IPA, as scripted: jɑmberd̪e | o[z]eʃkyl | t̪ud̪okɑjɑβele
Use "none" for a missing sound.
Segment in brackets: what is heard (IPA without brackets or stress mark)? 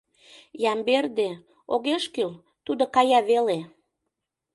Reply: ɣ